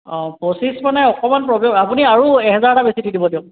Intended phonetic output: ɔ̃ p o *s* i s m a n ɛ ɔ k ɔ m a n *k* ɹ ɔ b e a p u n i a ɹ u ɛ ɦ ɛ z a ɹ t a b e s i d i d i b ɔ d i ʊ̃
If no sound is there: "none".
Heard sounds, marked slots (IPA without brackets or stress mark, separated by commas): s, p